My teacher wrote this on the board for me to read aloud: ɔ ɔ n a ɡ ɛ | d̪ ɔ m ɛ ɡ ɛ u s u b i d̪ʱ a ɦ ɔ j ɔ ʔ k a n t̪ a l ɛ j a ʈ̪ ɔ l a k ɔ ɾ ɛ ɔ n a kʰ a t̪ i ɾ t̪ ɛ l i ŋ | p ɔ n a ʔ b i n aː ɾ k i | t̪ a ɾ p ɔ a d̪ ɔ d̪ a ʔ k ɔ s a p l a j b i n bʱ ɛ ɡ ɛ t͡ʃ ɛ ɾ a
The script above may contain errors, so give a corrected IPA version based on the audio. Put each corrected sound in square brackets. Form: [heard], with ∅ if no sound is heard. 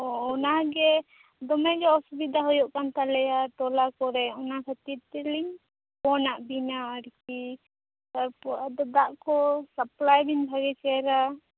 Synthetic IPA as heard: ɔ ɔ n a ɡ ɛ | d̪ ɔ m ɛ ɡ ɛ [ɔ] s u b i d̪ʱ a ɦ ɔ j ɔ ʔ k a n t̪ a l ɛ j a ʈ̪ ɔ l a k ɔ ɾ ɛ ɔ n a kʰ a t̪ i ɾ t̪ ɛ l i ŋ | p ɔ n a ʔ b i n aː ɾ k i | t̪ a ɾ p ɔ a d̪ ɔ d̪ a ʔ k ɔ s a p l a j b i n bʱ [a] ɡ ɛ t͡ʃ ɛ ɾ a

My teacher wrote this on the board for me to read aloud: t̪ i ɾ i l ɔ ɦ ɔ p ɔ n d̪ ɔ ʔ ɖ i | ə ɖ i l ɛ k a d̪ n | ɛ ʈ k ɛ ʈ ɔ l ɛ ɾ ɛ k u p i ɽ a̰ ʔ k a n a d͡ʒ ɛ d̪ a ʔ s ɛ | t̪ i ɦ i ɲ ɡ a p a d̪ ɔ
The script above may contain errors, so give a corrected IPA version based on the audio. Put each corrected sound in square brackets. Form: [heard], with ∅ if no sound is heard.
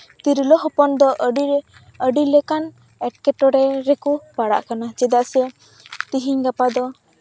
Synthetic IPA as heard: t̪ i ɾ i l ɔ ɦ ɔ p ɔ n d̪ ɔ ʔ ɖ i | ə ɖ i l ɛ k a [∅] n | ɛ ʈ k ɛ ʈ ɔ [ɾ] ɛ ɾ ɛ k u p [a] ɽ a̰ ʔ k a n a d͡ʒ ɛ d̪ a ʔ s ɛ | t̪ i ɦ i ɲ ɡ a p a d̪ ɔ

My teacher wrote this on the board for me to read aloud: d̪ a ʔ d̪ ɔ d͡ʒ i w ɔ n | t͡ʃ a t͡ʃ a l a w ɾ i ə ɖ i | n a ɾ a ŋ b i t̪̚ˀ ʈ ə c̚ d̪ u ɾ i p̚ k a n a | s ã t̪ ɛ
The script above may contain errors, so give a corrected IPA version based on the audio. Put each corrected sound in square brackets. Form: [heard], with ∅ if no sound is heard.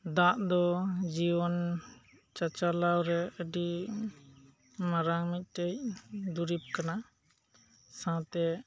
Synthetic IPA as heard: d̪ a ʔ d̪ ɔ d͡ʒ i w ɔ n | t͡ʃ a t͡ʃ a l a w ɾ [ɛ] ə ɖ i | [m] a ɾ a ŋ [m] i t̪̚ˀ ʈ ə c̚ d̪ u ɾ i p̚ k a n a | s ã t̪ ɛ

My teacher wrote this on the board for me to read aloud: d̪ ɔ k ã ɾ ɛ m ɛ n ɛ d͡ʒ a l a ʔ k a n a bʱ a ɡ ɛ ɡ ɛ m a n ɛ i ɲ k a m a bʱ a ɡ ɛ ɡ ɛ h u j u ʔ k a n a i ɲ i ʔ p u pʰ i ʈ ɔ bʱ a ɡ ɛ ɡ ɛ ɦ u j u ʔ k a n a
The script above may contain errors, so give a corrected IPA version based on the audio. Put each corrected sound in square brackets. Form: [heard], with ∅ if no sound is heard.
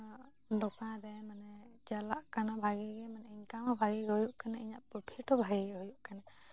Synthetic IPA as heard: d̪ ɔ k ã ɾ ɛ m [a] n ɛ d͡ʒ a l a ʔ k a n a bʱ a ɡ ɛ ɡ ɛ m a n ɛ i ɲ k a m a bʱ a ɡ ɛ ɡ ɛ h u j u ʔ k a n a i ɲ [a] ʔ p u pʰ i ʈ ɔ bʱ a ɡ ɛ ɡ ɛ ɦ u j u ʔ k a n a

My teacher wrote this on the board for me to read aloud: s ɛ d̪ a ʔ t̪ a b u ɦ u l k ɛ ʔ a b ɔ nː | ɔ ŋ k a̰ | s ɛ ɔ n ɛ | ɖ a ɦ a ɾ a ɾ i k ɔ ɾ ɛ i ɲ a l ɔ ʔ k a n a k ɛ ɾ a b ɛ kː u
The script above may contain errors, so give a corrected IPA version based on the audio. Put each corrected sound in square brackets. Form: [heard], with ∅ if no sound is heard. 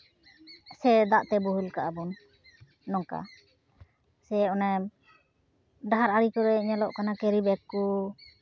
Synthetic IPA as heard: s ɛ d̪ a ʔ t̪ [ɛ] b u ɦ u l k [a] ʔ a b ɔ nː | ɔ ŋ k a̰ | s ɛ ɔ n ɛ | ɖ a ɦ a ɾ a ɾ i k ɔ ɾ ɛ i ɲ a l ɔ ʔ k a n a k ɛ ɾ [i] b ɛ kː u

